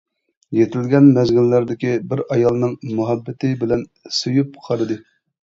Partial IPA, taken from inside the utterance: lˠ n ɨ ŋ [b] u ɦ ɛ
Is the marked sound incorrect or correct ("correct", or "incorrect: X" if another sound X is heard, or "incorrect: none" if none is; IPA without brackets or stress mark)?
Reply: incorrect: m